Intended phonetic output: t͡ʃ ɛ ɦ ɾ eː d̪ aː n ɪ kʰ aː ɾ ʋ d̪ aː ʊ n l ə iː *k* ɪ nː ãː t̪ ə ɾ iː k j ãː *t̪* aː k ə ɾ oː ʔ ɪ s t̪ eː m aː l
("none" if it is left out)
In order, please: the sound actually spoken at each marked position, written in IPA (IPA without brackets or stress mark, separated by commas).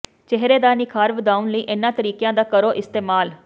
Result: ʔ, d̪